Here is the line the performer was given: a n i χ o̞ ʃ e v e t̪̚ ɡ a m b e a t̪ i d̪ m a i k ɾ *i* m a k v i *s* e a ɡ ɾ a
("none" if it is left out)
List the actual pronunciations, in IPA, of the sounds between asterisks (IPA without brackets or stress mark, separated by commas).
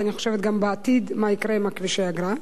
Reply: e, ʃ